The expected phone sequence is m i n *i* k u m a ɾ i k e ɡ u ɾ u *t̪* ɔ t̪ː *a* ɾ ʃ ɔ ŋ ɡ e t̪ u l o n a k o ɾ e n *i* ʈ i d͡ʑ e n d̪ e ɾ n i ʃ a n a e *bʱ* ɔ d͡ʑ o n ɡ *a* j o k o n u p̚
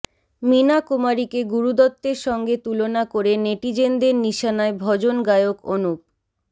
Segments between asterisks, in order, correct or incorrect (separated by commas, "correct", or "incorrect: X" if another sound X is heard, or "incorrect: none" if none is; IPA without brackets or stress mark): incorrect: a, incorrect: d̪, incorrect: e, incorrect: e, correct, correct